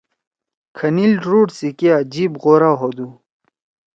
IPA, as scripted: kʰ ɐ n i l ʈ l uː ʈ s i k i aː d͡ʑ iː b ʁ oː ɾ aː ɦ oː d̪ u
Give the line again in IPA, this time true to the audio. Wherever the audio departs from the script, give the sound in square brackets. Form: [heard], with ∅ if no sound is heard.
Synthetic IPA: kʰ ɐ n i l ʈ [ɾ] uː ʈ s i k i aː d͡ʑ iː b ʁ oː ɾ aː ɦ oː d̪ u